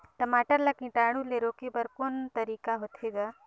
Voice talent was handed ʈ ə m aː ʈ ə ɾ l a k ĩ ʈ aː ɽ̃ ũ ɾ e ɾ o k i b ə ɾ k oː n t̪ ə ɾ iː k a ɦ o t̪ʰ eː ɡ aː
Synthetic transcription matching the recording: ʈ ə m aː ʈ ə ɾ l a k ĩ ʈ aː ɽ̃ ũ l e ɾ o k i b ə ɾ k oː n t̪ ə ɾ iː k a ɦ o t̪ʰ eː ɡ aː